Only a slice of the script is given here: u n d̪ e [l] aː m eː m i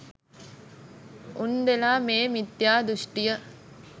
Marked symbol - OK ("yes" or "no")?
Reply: yes